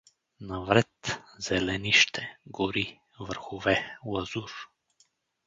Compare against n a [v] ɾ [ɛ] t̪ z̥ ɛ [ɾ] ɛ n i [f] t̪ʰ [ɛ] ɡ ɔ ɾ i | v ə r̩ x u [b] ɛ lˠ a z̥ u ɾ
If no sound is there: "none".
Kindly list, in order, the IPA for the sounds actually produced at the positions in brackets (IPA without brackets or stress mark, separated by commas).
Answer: v, ɛ, l, ʃ, ɛ, v